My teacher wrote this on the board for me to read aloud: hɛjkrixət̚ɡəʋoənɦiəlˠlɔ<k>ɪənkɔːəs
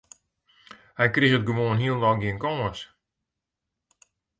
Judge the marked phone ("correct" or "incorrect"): incorrect